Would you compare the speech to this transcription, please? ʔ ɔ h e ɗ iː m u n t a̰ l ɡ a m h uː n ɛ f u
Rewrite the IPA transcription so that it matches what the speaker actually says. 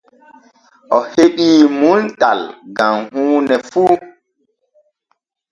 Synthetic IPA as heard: ʔ ɔ h e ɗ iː m u n t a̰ l ɡ a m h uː n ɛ f u